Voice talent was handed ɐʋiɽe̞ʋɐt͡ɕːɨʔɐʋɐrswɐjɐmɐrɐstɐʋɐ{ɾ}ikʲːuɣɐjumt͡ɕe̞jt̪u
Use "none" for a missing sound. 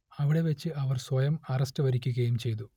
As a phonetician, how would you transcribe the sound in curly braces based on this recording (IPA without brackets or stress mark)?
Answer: ɾ